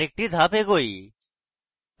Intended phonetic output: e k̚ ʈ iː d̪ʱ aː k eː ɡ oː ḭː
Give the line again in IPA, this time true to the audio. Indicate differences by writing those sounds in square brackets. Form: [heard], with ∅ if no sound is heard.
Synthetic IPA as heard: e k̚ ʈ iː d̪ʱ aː [p] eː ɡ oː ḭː